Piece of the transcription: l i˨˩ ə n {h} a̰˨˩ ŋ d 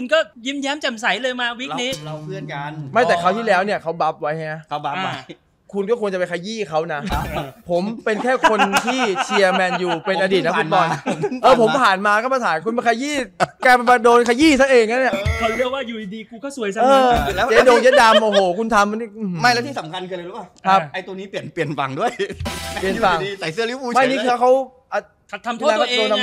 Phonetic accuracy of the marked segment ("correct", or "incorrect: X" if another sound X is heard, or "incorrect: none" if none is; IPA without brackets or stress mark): incorrect: f